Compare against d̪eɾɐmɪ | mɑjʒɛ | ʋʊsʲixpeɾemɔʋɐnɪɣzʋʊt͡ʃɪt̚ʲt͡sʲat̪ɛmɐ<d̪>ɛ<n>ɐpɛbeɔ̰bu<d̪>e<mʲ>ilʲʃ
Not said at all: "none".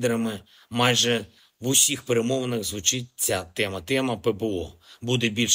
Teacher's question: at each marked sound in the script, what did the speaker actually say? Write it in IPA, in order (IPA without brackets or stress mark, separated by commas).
t̪, m, d̪, bʲ